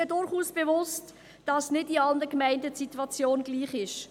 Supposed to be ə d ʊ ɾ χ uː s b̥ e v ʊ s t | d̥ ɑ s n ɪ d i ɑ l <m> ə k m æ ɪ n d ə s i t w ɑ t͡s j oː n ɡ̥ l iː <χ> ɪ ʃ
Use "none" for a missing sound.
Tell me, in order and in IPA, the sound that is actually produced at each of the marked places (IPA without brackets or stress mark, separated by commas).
n, χ